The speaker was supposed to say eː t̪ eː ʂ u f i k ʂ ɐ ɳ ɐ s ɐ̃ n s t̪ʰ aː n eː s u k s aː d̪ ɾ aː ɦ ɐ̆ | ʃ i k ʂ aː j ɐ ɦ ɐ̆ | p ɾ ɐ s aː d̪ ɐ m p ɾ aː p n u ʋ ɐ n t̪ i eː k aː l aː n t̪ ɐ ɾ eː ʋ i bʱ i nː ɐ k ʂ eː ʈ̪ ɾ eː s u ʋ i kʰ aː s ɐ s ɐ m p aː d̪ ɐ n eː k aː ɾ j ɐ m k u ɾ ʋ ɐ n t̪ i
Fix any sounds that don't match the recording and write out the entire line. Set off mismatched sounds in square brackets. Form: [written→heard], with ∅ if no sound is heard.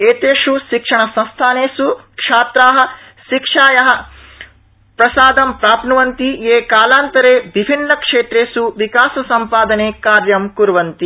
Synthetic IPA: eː t̪ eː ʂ u [f→ʃ] i k ʂ ɐ ɳ ɐ s ɐ̃ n s t̪ʰ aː n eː s u k [s→ʂ] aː [d̪→t̪] ɾ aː ɦ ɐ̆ | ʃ i k ʂ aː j ɐ ɦ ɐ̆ | p ɾ ɐ s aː d̪ ɐ m p ɾ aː p n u ʋ ɐ n t̪ i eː k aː l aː n t̪ ɐ ɾ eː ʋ i bʱ i nː ɐ k ʂ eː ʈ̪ ɾ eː s u ʋ i [kʰ→k] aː s ɐ s ɐ m p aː d̪ ɐ n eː k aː ɾ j ɐ m k u ɾ ʋ ɐ n t̪ i